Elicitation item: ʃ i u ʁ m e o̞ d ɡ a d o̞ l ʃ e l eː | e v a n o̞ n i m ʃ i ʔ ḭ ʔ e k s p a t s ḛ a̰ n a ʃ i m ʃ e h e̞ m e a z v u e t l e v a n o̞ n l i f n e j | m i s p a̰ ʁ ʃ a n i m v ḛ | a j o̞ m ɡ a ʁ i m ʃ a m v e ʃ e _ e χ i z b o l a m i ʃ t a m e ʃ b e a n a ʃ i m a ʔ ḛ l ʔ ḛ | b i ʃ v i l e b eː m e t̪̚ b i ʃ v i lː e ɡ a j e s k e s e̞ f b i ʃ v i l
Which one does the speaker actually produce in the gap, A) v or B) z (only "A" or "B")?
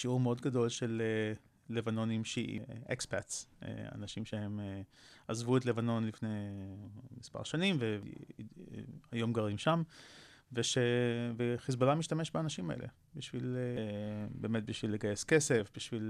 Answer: A